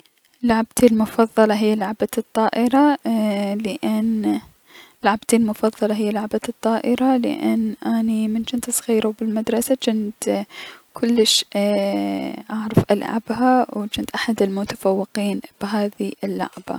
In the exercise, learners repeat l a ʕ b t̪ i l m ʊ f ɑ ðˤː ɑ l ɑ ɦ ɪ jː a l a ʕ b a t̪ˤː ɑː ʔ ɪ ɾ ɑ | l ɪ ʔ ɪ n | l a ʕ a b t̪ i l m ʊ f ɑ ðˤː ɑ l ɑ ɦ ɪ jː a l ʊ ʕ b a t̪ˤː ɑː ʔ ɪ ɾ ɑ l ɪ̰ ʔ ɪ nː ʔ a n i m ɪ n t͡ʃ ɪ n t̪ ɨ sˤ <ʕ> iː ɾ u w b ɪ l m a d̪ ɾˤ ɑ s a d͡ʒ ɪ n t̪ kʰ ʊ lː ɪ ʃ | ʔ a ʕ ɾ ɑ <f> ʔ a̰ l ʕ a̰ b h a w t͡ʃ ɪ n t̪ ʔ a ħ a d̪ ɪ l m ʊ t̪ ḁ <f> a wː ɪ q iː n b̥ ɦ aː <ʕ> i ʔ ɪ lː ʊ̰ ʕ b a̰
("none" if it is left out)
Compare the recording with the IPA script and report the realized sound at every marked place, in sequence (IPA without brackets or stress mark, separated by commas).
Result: ɣ, f, f, ð